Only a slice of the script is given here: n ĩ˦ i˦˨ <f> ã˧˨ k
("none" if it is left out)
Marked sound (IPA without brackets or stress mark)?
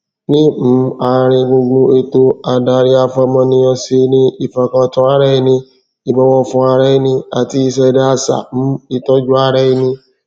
f